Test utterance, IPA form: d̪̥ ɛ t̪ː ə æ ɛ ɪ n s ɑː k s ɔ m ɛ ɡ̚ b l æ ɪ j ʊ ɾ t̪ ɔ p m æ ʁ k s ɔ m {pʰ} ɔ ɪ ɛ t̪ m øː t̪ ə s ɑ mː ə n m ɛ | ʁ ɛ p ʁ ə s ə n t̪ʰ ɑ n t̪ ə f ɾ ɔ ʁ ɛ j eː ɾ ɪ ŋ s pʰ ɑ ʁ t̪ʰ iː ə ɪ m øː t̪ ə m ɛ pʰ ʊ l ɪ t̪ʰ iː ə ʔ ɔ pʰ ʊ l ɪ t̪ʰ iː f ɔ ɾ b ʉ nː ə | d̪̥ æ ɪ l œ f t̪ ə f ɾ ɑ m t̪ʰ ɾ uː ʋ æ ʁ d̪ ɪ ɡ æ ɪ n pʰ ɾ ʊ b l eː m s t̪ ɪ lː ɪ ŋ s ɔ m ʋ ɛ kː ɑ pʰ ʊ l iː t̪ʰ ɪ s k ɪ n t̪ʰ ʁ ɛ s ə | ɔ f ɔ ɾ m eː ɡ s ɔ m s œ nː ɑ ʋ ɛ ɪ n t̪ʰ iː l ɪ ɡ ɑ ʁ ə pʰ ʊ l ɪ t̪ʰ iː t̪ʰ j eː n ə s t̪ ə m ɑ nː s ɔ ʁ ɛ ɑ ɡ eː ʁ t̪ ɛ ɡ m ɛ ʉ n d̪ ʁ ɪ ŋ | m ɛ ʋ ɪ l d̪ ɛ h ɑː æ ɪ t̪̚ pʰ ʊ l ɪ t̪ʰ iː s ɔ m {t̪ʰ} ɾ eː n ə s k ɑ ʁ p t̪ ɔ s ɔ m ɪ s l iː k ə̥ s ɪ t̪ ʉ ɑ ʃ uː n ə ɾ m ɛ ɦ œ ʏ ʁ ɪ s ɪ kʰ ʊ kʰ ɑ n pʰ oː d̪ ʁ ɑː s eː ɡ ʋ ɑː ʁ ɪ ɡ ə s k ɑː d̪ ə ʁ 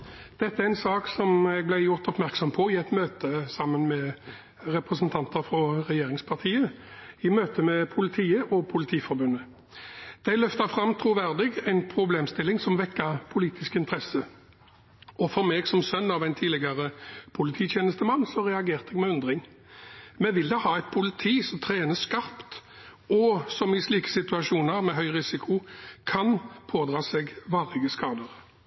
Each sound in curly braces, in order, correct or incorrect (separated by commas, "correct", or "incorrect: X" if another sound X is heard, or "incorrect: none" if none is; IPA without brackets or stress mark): correct, correct